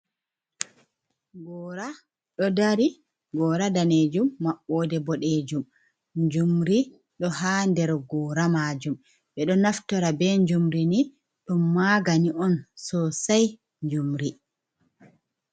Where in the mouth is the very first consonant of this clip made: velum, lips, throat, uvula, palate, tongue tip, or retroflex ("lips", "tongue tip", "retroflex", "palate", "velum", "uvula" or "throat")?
velum